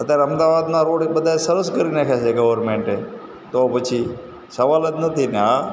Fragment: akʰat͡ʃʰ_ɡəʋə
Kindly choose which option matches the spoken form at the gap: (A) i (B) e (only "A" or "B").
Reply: B